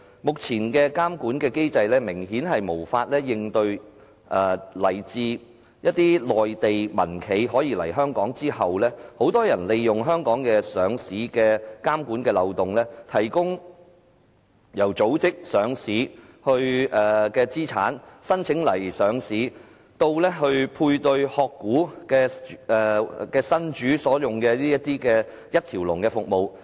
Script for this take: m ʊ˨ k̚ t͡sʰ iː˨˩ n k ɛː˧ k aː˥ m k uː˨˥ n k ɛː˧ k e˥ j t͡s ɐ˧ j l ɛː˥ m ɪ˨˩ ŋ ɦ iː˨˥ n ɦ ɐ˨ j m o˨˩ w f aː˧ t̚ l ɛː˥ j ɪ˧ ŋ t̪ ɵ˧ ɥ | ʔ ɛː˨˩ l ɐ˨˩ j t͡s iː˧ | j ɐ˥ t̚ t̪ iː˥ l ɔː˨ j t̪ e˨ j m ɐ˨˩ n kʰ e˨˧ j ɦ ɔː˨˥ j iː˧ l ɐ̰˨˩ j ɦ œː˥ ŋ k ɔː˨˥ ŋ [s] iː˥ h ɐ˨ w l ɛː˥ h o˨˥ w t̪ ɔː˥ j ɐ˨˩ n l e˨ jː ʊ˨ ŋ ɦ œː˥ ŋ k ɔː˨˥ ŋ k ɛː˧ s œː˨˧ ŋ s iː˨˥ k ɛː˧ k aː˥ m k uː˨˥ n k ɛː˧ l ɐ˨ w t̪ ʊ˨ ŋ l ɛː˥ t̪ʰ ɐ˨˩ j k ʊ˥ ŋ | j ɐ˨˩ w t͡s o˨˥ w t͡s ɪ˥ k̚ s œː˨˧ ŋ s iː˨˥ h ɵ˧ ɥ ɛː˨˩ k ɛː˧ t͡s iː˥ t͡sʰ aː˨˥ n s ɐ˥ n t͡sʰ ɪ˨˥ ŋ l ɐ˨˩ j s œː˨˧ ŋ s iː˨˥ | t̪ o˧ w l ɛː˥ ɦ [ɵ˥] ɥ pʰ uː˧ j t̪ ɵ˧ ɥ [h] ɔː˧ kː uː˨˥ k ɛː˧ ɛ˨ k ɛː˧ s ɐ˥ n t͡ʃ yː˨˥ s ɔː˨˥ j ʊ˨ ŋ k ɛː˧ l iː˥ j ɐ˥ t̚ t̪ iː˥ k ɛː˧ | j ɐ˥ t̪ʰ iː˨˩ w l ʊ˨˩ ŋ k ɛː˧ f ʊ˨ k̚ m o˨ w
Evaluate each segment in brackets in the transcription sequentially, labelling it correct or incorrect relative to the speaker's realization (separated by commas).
incorrect, incorrect, correct